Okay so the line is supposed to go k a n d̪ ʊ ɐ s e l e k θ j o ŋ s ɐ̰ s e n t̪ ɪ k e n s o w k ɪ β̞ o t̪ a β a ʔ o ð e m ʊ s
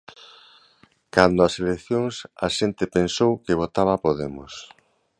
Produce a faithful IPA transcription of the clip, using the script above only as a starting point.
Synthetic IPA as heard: k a n d̪ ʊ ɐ s e l e k θ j o ŋ s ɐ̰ ʃ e n t̪ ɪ p e n s o w k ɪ β̞ o t̪ a β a p o ð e m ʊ s